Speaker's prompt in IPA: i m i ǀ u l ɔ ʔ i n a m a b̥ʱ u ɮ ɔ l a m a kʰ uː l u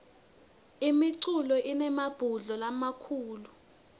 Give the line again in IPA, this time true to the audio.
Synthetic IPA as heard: i m i ǀ u l ɔ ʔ i n ɛ m a b̥ʱ u ɮ ɔ l a m a kʰ uː l u